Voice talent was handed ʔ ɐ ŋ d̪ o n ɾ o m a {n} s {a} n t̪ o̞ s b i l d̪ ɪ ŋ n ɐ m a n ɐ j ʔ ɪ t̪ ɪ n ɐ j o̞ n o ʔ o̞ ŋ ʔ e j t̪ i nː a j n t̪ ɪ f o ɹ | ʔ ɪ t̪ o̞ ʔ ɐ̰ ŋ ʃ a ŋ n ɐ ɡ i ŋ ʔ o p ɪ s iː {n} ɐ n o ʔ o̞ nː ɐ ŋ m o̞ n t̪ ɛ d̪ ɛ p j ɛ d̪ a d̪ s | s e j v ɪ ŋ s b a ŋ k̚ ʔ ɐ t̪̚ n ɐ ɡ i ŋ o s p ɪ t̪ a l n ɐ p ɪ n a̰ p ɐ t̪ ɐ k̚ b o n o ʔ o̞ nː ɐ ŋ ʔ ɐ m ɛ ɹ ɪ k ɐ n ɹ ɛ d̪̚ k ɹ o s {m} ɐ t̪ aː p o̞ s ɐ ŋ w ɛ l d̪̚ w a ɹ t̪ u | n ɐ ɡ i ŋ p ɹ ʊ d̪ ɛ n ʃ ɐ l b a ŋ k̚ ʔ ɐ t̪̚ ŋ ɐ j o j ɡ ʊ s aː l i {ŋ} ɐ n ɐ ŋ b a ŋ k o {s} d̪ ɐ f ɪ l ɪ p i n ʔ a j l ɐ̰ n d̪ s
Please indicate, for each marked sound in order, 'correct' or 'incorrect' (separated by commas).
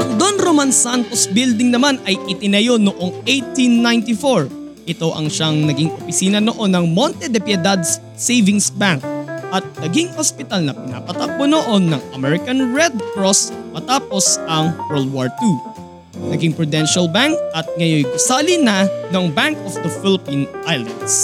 correct, correct, correct, correct, incorrect, incorrect